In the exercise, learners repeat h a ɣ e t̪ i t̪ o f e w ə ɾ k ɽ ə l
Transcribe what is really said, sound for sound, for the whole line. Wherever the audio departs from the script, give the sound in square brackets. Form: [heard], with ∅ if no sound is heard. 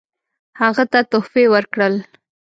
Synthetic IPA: h a ɣ [a] t̪ [a] t̪ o f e w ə ɾ k ɽ ə l